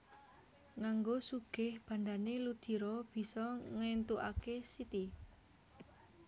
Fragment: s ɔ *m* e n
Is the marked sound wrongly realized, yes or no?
yes